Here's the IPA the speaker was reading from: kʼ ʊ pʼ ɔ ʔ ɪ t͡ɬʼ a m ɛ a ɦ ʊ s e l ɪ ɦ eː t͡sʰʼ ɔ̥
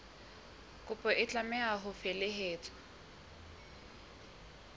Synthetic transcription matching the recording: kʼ ʊ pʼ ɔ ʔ ɪ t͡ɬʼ a m ɛ a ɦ ʊ f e l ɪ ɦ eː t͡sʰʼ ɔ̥